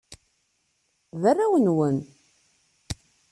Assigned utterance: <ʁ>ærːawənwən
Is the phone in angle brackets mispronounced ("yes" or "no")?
yes